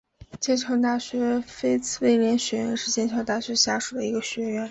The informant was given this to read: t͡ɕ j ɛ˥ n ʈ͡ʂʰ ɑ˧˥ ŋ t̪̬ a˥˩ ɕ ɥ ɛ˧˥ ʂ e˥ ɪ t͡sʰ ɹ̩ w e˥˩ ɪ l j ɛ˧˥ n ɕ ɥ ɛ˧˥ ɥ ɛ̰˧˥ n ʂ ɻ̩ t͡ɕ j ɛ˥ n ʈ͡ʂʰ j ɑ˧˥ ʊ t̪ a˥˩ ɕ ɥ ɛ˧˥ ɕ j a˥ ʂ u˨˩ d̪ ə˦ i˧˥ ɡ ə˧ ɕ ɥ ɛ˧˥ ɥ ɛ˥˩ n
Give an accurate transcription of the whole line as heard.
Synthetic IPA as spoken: t͡ɕ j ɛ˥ n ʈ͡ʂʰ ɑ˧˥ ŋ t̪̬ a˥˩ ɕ ɥ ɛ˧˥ f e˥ ɪ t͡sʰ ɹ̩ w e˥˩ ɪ l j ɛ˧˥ n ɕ ɥ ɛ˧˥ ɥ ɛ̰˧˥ n ʂ ɻ̩ t͡ɕ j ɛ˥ n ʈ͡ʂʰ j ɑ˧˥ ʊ t̪ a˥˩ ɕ ɥ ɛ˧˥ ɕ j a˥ ʂ u˨˩ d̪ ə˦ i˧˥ ɡ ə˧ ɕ ɥ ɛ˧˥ ɥ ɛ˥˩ n